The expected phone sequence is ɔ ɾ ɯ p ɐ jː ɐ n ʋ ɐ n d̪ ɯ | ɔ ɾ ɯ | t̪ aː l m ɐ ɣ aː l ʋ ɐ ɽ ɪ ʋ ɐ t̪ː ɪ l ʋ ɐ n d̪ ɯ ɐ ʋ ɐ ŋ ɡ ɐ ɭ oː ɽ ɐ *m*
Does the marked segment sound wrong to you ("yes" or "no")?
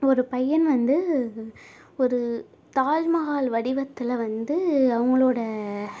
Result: yes